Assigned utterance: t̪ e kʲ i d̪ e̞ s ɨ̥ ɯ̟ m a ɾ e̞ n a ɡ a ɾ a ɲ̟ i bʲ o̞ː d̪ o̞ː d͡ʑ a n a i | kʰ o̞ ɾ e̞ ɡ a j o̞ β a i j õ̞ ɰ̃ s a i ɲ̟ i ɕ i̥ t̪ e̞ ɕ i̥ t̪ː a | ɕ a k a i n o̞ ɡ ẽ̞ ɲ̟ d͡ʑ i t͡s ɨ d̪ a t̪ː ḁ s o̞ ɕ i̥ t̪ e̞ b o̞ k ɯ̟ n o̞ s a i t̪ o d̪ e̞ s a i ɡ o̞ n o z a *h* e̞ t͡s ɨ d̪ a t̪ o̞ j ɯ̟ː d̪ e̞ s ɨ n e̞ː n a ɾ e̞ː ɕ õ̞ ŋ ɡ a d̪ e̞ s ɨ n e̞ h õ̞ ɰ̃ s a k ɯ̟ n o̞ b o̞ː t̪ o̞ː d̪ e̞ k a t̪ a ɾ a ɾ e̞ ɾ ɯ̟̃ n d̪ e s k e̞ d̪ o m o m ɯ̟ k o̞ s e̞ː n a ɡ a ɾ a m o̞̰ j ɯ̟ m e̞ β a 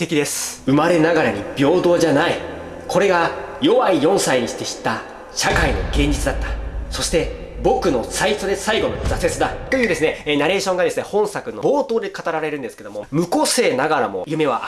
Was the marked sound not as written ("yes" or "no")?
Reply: yes